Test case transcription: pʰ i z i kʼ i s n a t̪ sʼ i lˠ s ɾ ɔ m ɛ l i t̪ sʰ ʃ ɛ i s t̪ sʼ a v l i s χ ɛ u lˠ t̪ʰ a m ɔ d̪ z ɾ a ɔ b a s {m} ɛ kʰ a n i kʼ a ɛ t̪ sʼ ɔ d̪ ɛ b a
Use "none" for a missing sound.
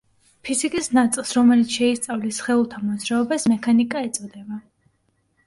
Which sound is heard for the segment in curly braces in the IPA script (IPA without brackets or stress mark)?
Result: m